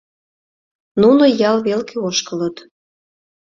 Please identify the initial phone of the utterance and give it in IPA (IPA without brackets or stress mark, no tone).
n